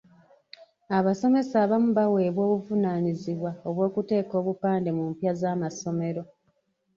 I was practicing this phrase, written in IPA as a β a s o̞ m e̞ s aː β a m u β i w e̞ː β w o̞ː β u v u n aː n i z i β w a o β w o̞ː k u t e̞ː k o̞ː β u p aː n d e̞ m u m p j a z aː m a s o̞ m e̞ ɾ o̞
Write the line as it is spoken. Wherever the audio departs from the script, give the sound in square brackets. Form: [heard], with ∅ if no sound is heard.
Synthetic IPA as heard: a β a s o̞ m e̞ s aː β a m u β [a] w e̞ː β w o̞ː β u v u n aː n i z i β w a o β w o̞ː k u t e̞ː k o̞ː β u p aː n d e̞ m u m p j a z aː m a s o̞ m e̞ ɾ o̞

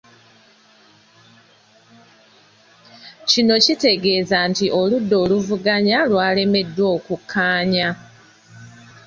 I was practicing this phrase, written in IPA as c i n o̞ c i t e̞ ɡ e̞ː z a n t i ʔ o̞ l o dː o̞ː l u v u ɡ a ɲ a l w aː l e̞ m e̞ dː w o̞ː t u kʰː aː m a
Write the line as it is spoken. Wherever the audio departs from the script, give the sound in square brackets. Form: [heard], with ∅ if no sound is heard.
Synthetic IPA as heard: c i n o̞ c i t e̞ ɡ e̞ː z a n t i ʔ o̞ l [u] dː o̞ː l u v u ɡ a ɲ a l w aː l e̞ m e̞ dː w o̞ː [k] u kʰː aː [ɲ] a

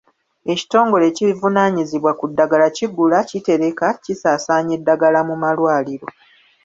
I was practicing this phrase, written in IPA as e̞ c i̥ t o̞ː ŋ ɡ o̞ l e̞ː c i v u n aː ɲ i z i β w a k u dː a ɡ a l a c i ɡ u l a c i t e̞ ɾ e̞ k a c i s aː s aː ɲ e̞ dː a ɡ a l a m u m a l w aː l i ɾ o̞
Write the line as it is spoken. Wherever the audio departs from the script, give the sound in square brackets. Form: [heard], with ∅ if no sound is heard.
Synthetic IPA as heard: e̞ c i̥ t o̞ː ŋ ɡ o̞ l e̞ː c i v u n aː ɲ i z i β w a k u dː a ɡ a l a c i ɡ u l a c i t e̞ ɾ e̞ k a c i s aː s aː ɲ e̞ dː a ɡ a l a m u m a l w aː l i ɾ o̞

